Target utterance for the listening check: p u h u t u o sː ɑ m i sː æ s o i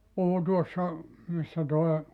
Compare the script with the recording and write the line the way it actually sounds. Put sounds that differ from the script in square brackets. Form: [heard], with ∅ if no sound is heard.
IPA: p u h u t u o sː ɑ m i sː æ [t] o [e]